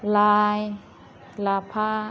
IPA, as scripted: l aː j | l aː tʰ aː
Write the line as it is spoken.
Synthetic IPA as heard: l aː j | l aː pʰ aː